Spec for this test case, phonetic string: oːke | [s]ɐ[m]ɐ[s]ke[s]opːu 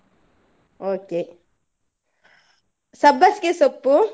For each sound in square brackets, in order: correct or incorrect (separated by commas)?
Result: correct, incorrect, correct, correct